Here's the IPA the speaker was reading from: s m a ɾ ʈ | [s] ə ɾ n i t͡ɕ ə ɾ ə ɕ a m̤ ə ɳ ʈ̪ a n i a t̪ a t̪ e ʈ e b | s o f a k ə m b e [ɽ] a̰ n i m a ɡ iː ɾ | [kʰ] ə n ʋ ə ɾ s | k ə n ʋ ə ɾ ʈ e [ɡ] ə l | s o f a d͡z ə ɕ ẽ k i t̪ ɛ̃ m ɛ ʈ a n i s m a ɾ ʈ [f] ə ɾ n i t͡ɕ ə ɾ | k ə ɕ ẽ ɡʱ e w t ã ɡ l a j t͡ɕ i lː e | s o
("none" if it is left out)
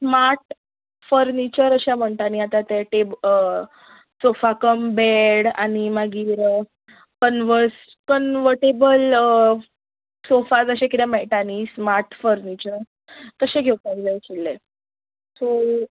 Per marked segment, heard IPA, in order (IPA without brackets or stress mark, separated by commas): f, ɽ, k, b, f